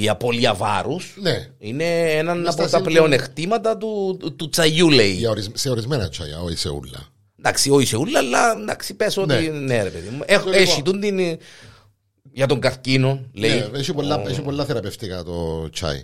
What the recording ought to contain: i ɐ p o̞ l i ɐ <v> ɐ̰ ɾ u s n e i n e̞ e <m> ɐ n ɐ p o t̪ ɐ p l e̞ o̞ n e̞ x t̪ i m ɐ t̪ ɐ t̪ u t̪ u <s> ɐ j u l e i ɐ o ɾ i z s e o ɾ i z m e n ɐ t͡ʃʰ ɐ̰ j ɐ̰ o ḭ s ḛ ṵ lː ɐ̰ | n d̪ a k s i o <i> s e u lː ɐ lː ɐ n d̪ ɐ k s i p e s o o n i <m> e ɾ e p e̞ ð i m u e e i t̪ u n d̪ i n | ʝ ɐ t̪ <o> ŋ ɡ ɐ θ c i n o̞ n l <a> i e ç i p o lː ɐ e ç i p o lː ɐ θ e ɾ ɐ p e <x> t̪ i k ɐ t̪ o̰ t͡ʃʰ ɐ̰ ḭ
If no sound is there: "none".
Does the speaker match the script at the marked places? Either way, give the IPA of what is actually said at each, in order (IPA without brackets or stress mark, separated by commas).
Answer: v, n, t͡s, i, n, o, e, f